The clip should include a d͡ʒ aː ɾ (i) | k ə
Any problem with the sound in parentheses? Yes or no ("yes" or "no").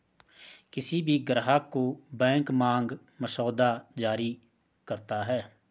no